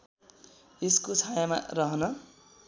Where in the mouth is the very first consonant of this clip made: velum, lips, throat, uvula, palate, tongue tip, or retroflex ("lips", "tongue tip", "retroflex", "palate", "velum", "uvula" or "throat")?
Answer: tongue tip